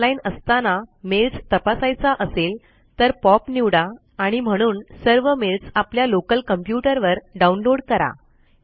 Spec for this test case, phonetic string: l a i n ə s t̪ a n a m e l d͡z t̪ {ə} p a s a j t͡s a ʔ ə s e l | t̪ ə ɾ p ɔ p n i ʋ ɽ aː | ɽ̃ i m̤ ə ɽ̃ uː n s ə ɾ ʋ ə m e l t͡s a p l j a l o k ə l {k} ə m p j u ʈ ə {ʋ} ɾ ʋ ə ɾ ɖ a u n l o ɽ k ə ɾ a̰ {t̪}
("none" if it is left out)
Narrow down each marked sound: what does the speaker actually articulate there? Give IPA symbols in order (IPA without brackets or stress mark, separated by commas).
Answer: ə, k, none, none